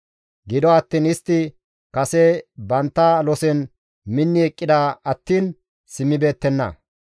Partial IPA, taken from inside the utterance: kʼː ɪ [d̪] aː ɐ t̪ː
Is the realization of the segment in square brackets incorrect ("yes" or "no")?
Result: no